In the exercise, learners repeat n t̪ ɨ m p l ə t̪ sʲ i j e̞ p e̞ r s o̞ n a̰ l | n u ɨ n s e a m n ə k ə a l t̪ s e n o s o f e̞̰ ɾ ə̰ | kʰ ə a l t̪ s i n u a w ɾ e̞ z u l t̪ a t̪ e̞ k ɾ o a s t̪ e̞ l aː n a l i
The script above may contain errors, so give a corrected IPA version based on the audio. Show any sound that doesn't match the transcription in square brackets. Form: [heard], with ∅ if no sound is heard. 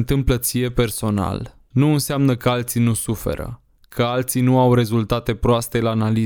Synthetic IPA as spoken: n t̪ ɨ m p l ə t̪ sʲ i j e̞ p e̞ r s o̞ n a̰ l | n u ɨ n s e a m n ə k ə a l t̪ s [i] n [u] s [u] f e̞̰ ɾ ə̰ | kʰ ə a l t̪ s i n u a w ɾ e̞ z u l t̪ a t̪ e̞ [p] ɾ o a s t̪ e̞ l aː n a l i